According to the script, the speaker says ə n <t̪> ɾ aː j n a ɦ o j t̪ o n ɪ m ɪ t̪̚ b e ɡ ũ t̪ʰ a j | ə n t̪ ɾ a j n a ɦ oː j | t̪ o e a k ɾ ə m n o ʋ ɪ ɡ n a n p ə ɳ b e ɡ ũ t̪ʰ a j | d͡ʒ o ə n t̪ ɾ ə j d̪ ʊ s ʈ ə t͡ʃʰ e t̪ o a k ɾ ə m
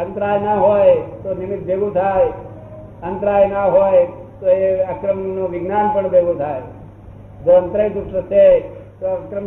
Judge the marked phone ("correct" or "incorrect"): correct